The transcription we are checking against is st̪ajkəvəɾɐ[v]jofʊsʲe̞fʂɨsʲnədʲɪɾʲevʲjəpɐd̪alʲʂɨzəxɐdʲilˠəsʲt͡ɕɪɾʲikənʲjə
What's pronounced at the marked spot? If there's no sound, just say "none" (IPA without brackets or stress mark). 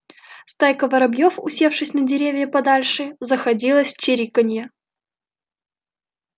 b